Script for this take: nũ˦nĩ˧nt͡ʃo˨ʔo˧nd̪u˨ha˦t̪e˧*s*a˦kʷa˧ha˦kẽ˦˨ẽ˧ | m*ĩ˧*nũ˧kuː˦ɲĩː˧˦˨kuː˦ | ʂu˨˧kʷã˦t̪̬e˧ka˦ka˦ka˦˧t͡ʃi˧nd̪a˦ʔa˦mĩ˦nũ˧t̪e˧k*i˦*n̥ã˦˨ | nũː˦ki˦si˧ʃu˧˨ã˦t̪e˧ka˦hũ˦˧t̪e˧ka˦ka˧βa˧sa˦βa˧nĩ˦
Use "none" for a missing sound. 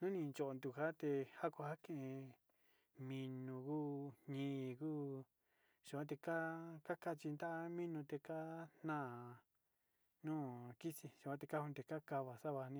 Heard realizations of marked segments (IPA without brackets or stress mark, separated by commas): h, ĩ˧, a˦